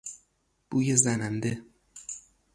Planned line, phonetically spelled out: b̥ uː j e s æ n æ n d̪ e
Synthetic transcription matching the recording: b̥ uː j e z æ n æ n d̪ e